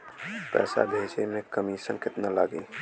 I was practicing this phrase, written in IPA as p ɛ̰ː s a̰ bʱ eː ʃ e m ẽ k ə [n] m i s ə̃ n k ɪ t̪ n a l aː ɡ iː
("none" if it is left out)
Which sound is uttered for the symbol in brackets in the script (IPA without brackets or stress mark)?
none